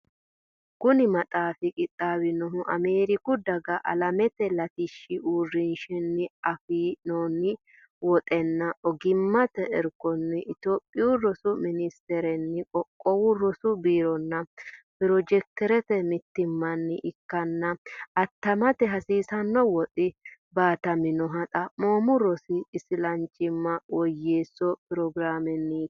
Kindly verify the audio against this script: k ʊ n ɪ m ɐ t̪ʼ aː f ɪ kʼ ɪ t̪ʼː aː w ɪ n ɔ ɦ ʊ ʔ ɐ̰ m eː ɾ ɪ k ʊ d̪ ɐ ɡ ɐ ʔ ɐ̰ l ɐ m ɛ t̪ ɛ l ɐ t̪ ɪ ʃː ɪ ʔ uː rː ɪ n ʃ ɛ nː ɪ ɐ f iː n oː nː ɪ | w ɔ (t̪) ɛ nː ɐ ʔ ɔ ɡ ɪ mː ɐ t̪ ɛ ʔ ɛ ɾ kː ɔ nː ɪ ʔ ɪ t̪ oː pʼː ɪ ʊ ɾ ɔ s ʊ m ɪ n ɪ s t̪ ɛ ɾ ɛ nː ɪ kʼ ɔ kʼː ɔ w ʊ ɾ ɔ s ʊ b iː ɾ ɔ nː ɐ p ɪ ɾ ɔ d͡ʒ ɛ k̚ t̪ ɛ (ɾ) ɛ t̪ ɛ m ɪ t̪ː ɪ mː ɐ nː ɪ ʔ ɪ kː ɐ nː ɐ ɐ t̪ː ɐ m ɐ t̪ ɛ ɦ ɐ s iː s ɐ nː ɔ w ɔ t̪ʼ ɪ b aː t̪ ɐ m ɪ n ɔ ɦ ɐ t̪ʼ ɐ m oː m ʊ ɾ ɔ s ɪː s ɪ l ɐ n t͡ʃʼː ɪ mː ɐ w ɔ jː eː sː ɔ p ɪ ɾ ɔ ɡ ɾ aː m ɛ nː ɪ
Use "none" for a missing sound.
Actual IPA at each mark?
t̪ʼ, ɾ

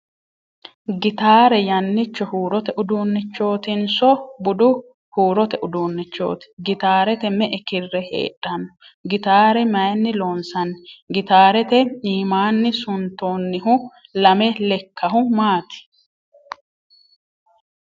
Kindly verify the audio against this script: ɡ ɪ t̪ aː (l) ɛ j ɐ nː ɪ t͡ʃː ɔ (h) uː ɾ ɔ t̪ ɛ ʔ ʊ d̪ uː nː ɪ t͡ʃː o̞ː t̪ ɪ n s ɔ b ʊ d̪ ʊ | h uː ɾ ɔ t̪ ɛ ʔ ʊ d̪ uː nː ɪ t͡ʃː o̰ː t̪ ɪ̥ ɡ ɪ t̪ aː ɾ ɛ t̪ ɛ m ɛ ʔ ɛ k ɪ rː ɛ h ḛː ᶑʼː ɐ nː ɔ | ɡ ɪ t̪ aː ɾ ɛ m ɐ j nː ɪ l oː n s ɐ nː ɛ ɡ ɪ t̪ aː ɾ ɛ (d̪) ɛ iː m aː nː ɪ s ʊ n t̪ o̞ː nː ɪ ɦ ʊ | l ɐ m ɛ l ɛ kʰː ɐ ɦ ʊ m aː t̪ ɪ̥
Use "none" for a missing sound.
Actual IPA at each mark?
ɾ, h, t̪

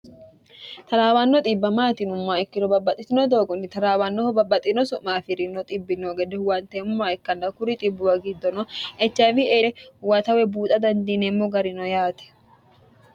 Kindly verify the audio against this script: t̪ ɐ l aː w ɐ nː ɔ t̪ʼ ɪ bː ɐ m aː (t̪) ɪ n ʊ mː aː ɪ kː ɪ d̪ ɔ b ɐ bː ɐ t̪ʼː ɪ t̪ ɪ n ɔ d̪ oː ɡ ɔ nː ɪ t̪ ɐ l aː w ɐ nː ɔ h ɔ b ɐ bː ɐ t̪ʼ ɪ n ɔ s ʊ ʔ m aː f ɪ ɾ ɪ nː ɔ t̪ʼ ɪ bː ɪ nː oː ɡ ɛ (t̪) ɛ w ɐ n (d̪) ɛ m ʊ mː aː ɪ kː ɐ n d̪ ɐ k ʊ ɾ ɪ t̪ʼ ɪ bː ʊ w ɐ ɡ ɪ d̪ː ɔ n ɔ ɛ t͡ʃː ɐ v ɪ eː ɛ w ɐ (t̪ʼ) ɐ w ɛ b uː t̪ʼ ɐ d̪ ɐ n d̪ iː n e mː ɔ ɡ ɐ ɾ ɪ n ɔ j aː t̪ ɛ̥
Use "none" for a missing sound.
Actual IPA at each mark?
t̪, d̪, t̪, t̪

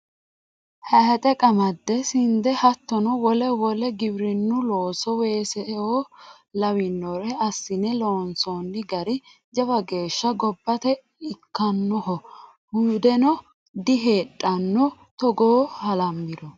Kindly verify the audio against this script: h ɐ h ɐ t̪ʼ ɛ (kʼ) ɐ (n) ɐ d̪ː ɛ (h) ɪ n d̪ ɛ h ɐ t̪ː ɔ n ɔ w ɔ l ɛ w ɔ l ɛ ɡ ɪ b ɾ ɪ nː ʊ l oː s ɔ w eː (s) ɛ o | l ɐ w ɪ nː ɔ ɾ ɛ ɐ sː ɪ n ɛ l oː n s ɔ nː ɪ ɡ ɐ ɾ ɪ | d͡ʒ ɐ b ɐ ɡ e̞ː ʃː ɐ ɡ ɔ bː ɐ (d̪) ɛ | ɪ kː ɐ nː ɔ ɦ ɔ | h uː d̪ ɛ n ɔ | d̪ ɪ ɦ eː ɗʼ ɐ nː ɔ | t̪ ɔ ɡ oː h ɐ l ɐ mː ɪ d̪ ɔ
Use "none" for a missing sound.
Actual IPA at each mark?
kʼ, m, s, s, t̪

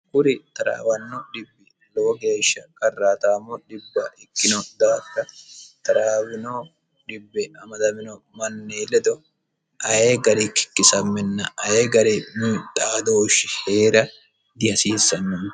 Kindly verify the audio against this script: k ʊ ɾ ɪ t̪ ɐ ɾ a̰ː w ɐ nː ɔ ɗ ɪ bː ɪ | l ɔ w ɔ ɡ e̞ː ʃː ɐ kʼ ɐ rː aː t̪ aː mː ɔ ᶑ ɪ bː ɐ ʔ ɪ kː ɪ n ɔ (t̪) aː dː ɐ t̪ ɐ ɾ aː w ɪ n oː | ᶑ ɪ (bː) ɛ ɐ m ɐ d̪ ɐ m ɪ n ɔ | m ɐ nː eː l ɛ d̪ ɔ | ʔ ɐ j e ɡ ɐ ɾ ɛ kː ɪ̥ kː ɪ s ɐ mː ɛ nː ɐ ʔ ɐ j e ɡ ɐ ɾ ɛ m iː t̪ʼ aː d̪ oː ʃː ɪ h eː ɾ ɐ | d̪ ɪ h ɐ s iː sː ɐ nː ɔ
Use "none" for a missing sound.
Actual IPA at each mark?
d̪, bː

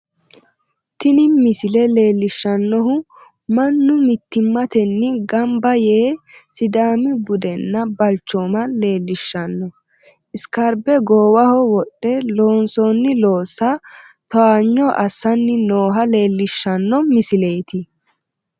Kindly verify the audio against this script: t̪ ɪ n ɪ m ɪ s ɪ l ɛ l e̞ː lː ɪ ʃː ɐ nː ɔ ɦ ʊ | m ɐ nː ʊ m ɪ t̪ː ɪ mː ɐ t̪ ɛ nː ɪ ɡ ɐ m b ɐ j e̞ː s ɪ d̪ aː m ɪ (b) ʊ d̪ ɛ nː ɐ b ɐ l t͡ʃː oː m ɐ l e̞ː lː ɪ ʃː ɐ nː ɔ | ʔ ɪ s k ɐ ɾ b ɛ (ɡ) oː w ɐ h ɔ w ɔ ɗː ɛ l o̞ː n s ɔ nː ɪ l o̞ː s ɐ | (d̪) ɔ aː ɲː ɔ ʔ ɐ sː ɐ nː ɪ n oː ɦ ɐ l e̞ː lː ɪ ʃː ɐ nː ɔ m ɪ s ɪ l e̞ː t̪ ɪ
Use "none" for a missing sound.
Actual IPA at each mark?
b, ɡ, t̪

